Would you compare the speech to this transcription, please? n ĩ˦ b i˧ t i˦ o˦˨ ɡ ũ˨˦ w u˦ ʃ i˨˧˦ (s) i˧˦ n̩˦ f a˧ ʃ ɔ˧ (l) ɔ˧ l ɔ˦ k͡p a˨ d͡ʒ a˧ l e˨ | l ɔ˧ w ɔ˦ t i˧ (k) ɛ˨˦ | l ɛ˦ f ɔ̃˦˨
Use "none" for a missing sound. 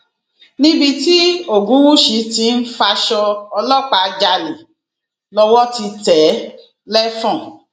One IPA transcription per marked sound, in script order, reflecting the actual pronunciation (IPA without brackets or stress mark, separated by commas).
t, none, t